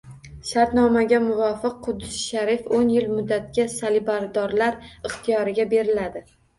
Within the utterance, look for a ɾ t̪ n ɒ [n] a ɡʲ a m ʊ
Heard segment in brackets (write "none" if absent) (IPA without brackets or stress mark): m